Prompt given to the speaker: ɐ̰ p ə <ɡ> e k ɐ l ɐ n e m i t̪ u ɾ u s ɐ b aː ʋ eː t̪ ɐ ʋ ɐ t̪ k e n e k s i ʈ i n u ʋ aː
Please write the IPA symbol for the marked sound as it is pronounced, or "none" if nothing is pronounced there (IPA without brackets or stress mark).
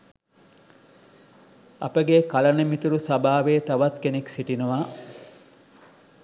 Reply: ɡ